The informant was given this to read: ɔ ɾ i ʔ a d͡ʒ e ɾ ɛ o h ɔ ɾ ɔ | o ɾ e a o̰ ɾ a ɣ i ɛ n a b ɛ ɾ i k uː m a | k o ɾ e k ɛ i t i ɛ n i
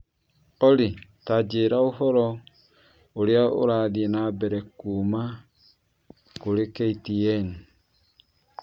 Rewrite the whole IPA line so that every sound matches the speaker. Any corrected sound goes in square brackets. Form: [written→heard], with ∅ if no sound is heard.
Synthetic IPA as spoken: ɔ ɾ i [ʔ→t] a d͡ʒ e ɾ [ɛ→a] o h ɔ ɾ ɔ | o ɾ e a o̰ ɾ a [ɣ→ð] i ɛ n a b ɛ ɾ [i→ɛ] k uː m a | k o ɾ e k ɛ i t i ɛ n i